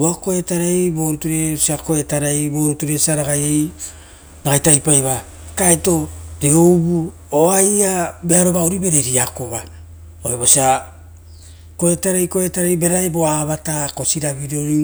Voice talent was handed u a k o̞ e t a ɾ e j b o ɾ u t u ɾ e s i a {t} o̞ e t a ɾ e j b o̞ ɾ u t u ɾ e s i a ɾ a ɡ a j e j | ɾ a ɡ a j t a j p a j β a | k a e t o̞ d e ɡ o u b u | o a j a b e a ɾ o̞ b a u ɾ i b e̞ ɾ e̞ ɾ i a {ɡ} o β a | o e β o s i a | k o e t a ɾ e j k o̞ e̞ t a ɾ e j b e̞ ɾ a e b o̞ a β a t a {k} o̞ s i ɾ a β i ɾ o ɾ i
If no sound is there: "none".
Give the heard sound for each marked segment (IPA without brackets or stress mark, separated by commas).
k, k, k